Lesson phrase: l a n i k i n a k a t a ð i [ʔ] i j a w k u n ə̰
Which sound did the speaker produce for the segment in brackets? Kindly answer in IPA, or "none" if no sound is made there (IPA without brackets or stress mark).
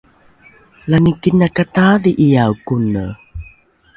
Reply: ʔ